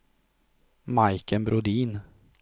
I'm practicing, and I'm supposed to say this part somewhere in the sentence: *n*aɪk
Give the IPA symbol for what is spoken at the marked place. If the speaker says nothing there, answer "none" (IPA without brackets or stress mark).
m